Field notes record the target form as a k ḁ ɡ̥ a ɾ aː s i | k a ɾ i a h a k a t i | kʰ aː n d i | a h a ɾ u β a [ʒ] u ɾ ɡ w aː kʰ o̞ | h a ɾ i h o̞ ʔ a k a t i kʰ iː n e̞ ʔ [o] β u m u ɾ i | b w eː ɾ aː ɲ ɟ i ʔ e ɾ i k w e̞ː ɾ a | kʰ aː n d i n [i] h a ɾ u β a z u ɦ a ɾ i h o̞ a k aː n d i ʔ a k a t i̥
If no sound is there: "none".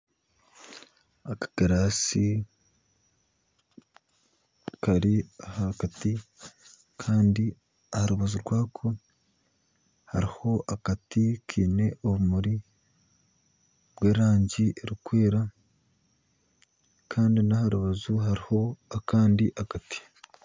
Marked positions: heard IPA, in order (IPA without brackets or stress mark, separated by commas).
z, o, a